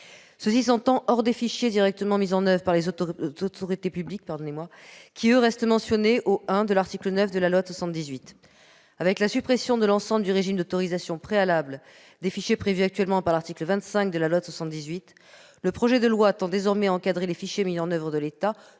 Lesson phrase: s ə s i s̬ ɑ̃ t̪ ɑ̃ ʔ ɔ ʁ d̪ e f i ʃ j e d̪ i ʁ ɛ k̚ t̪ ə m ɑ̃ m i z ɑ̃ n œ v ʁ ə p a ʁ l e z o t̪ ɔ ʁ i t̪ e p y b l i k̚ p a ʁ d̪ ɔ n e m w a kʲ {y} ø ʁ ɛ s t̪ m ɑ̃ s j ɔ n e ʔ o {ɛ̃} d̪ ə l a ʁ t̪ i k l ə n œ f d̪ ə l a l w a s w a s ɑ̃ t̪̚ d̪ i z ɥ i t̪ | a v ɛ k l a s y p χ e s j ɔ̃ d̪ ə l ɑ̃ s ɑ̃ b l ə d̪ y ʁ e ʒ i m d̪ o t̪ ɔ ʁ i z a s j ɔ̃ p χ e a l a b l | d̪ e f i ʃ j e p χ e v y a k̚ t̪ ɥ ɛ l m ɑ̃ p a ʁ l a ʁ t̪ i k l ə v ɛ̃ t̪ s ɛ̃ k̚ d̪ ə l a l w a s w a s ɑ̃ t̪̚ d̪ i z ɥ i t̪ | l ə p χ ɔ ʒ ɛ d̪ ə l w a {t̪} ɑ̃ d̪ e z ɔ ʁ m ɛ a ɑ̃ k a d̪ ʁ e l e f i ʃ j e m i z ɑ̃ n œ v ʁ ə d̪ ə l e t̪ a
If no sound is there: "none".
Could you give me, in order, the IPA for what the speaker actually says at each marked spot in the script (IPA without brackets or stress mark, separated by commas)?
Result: i, ɛ̃, t̪